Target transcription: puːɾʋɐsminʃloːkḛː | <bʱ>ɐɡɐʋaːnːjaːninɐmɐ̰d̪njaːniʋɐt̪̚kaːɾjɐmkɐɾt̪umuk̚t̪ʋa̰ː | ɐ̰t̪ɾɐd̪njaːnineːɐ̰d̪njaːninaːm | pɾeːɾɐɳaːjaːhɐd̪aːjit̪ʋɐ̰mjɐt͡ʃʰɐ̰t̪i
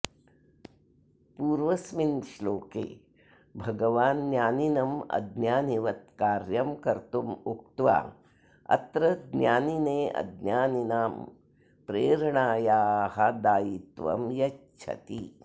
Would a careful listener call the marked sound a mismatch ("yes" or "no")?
no